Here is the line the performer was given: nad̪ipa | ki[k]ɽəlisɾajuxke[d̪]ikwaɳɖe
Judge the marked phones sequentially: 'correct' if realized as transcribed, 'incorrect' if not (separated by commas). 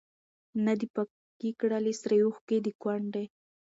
correct, correct